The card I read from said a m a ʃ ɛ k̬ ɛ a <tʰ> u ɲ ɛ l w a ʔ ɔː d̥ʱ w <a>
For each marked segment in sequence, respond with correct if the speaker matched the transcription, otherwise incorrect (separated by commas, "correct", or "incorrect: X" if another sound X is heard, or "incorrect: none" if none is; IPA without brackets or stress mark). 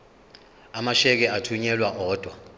correct, correct